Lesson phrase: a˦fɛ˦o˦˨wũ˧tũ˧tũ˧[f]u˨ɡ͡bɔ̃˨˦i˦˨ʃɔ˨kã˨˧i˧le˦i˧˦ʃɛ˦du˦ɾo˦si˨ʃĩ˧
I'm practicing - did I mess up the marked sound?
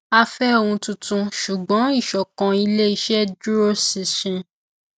yes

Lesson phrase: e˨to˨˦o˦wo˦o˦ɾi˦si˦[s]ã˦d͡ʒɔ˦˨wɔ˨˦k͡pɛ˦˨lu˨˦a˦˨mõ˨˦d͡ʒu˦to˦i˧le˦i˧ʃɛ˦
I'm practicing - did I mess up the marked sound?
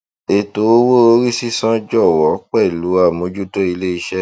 no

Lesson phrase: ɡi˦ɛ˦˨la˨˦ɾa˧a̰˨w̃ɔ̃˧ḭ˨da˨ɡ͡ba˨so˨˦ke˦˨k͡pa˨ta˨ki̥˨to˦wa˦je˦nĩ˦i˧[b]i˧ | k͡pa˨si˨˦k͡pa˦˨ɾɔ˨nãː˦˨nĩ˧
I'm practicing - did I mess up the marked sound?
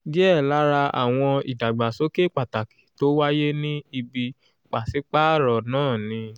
no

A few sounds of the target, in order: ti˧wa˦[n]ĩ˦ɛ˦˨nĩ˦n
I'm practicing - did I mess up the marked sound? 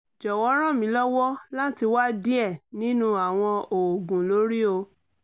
yes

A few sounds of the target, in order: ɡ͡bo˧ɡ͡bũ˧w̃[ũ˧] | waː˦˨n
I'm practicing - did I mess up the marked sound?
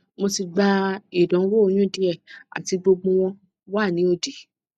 yes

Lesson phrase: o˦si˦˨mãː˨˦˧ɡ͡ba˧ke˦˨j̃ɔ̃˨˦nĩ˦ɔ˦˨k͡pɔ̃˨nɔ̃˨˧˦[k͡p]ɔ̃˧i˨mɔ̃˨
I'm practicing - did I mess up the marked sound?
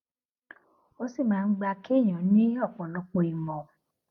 no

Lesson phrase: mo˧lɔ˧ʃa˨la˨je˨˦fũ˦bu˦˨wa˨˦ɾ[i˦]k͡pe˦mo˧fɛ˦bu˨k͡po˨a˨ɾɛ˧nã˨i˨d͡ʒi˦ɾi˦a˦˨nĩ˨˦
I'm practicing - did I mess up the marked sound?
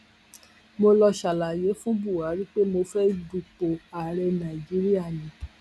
no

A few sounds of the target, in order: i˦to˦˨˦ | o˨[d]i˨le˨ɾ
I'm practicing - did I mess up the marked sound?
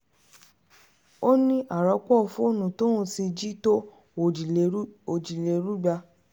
yes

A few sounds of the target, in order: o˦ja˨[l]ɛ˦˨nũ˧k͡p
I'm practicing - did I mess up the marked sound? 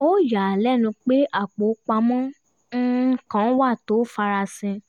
no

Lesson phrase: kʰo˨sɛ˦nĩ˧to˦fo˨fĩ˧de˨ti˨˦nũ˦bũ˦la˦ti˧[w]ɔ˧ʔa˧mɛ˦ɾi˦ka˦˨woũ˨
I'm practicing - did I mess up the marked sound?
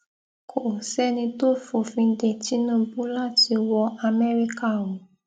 no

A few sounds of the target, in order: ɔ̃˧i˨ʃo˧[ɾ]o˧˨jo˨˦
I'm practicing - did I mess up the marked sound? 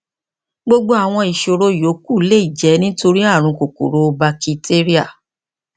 no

